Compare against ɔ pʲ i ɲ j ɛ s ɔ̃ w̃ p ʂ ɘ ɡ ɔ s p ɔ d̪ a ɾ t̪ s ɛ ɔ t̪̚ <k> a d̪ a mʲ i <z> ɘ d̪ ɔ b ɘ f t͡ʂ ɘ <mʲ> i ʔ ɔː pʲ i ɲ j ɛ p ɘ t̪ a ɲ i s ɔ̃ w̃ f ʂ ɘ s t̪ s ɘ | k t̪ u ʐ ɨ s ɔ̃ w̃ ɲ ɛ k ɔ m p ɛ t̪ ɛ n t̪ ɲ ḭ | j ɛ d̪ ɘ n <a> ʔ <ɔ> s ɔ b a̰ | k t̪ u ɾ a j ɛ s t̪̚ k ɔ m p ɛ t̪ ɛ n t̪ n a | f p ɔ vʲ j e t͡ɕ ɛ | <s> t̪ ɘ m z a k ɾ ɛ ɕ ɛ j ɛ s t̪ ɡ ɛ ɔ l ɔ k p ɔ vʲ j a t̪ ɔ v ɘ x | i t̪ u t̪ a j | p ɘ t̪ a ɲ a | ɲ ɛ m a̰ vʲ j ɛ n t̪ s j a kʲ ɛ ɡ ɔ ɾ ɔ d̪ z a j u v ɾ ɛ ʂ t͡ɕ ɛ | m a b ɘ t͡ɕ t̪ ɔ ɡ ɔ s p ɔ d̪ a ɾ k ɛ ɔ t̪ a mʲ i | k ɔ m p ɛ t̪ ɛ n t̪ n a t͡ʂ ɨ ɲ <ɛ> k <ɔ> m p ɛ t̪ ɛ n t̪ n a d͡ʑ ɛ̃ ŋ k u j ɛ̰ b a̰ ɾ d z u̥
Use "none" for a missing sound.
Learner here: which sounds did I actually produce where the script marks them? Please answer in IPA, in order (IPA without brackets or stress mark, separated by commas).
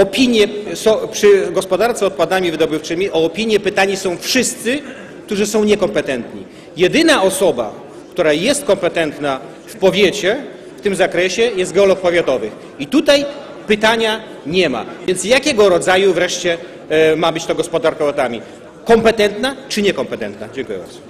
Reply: p, v, mʲ, a, ɔ, f, ɛ, ɔ